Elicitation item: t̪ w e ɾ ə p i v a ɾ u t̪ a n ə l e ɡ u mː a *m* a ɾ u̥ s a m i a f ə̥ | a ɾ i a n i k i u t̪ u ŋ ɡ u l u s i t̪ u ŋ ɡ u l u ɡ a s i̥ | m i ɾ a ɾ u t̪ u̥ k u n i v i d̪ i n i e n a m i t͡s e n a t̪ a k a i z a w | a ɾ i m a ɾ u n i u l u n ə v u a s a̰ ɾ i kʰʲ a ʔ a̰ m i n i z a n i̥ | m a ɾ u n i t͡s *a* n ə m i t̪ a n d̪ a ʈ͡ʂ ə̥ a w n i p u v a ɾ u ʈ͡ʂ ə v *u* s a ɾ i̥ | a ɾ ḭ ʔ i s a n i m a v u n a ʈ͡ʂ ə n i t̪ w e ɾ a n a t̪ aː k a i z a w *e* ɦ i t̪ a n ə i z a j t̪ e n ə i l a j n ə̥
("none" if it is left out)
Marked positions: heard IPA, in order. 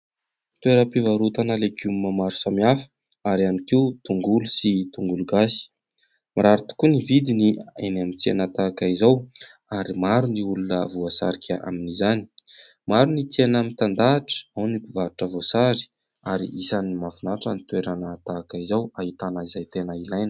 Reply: m, e, o, a

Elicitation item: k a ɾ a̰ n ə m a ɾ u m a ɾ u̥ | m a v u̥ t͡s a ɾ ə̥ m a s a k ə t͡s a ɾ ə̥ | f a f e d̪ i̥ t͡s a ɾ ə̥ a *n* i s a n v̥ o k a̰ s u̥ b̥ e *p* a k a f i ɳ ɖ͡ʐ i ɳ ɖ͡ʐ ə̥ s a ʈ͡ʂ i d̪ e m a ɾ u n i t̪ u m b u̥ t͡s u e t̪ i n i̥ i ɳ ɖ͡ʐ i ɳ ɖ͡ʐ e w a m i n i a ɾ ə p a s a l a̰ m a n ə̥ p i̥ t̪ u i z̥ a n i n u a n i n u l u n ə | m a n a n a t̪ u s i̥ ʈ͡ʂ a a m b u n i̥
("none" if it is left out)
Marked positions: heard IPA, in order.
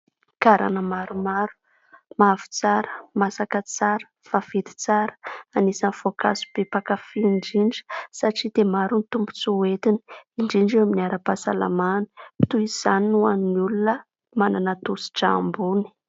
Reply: n, p

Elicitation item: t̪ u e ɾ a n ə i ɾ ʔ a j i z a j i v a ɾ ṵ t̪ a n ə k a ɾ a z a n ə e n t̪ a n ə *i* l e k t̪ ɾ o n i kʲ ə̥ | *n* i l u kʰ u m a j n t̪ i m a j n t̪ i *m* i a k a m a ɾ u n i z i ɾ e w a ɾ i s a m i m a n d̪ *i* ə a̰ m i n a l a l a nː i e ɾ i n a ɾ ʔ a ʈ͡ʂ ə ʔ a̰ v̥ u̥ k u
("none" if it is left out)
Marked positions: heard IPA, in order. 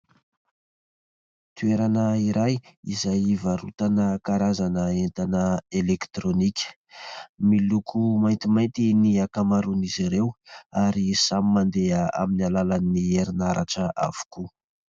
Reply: e, m, n, e

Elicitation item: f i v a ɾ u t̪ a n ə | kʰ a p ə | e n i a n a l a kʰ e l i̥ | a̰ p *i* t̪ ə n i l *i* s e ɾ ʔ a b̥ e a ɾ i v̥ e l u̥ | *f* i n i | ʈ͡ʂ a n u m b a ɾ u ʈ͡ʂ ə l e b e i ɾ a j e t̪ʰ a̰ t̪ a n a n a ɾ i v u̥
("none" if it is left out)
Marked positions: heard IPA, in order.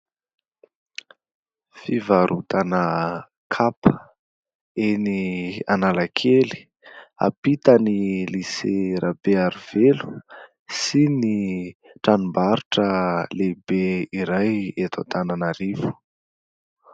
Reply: i, i, s

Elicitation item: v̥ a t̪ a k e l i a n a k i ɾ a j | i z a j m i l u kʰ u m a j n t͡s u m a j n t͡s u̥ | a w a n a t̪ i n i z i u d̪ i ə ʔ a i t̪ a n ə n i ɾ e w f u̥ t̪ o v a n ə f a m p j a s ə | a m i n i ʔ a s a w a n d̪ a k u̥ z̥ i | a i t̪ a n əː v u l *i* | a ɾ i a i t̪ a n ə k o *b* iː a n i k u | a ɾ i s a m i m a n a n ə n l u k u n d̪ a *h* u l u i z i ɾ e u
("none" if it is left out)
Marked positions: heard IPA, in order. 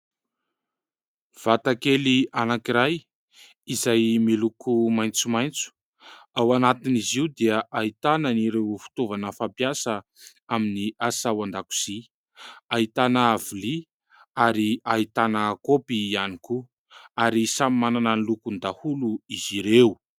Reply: i, p, h

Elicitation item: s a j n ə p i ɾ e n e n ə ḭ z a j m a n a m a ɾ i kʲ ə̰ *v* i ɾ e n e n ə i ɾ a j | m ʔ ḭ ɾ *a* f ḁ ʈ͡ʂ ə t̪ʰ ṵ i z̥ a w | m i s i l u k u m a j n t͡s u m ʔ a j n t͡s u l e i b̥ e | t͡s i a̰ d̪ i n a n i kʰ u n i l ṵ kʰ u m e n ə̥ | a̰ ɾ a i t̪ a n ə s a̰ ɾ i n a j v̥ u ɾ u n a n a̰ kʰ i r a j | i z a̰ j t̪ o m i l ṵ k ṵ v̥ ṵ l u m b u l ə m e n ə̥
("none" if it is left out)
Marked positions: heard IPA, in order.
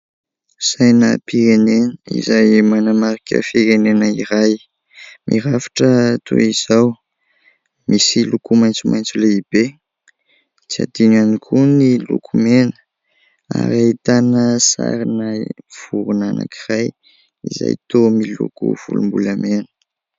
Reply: f, a

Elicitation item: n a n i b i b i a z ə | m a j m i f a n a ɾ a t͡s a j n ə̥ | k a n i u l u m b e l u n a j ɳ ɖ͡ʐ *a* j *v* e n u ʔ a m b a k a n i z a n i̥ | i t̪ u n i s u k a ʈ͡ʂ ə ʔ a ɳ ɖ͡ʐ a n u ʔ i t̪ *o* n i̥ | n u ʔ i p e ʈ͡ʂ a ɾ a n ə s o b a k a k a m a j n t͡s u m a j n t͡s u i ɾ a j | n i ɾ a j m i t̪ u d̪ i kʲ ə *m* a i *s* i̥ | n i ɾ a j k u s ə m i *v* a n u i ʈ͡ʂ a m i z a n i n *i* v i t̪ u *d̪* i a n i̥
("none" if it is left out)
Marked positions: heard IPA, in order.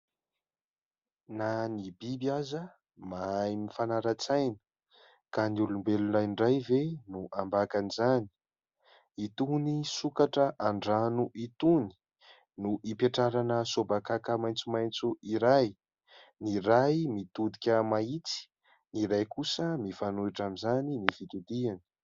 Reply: a, v, u, m, t͡s, f, i, d̪

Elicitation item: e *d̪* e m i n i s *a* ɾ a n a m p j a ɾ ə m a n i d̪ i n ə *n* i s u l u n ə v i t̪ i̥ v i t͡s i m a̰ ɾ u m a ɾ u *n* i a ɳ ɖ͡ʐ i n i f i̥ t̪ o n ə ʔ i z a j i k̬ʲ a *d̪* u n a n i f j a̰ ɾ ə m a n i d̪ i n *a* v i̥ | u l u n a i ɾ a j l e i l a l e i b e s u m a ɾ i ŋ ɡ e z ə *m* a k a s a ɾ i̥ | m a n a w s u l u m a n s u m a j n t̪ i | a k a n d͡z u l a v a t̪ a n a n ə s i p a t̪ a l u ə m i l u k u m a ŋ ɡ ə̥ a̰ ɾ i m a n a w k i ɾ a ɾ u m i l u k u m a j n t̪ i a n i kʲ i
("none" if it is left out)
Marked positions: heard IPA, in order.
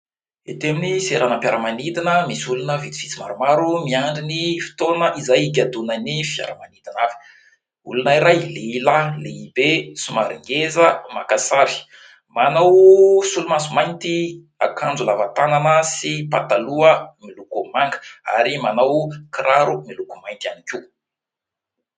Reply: t̪, e, m, m, d̪, a, m

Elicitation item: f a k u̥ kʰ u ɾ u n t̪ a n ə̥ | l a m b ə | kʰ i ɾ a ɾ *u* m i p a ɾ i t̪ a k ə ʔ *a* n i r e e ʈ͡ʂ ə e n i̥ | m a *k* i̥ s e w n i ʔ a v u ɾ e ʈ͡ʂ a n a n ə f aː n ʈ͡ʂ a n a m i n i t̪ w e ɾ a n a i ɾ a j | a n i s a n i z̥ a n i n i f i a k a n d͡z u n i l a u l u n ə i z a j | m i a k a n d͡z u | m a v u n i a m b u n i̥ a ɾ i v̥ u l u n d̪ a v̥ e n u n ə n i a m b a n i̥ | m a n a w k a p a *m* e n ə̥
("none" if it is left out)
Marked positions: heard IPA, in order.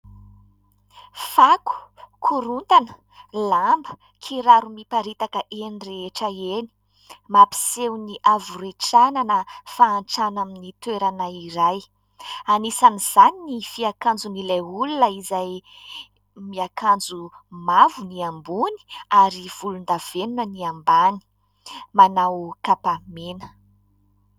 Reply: u, e, p, m

